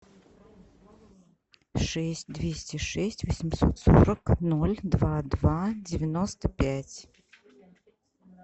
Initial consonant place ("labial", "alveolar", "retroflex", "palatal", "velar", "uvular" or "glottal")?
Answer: retroflex